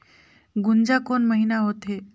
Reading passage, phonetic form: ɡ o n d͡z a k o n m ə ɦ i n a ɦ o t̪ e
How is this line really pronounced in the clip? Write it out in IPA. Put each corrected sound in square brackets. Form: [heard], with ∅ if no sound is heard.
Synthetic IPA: ɡ [u] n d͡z a k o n m ə ɦ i n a ɦ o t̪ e